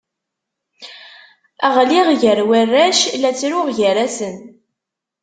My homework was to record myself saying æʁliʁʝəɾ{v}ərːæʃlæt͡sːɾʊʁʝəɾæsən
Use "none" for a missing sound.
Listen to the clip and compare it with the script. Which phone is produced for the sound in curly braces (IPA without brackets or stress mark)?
w